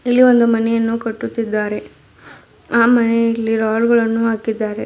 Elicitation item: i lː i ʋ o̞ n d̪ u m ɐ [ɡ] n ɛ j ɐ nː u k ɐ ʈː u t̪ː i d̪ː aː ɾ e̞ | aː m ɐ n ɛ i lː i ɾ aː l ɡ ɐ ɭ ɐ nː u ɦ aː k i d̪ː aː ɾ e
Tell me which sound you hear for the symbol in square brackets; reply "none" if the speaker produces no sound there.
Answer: none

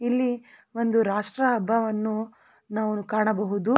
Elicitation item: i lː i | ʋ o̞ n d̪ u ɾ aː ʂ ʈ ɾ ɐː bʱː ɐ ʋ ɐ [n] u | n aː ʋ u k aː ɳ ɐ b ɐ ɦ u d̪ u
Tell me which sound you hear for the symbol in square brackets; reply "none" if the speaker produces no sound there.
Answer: nː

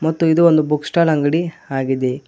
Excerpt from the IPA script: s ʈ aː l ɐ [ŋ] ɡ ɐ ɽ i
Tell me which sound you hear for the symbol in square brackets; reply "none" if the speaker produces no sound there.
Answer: ŋ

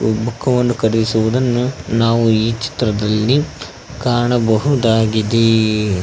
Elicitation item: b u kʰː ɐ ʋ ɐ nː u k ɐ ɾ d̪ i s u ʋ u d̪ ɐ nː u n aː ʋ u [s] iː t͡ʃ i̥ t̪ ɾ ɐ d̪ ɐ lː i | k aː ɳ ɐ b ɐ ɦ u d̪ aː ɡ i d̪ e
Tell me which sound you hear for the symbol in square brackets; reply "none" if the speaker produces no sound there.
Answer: none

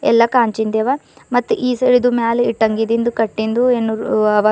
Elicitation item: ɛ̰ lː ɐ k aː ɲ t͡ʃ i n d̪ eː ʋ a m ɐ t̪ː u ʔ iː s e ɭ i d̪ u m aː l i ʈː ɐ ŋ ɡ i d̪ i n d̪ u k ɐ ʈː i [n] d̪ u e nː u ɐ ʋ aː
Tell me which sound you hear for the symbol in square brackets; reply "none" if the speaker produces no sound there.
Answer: n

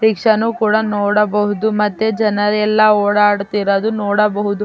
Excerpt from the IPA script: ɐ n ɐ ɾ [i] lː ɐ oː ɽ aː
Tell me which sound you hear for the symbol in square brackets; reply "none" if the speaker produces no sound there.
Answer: ɛ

